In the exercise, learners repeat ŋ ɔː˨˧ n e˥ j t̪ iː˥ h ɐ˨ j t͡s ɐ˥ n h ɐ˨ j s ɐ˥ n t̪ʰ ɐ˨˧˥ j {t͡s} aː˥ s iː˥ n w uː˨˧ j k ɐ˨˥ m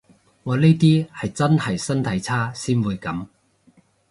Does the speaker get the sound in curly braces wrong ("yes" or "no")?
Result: yes